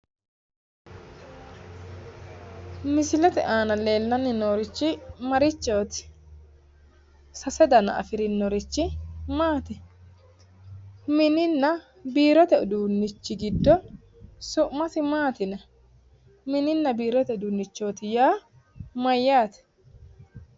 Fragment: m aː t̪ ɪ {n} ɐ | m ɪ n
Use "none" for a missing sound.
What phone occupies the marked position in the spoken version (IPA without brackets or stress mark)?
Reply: n